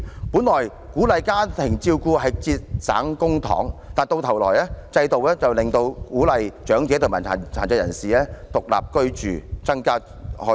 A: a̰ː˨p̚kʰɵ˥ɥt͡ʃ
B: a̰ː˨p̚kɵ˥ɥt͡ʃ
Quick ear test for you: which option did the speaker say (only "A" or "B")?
B